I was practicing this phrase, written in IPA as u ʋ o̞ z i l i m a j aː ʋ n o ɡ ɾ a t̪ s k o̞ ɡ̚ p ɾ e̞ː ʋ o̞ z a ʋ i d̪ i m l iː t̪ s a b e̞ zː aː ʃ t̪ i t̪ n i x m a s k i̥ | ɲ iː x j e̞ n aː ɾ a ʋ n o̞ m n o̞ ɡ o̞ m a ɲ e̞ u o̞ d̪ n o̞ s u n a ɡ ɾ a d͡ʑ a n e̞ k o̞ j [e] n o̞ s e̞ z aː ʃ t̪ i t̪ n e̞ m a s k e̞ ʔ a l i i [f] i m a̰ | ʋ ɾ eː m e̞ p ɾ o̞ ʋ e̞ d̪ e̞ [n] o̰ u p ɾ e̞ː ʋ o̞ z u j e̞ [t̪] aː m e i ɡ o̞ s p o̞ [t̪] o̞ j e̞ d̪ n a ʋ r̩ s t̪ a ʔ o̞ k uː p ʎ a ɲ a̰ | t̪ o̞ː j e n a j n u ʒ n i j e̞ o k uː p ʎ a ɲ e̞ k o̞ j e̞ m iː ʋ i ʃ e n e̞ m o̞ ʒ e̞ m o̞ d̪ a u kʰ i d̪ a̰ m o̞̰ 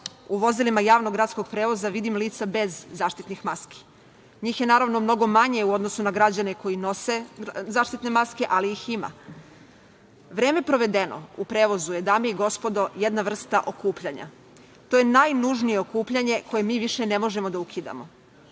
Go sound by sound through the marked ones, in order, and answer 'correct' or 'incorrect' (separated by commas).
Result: incorrect, incorrect, correct, incorrect, incorrect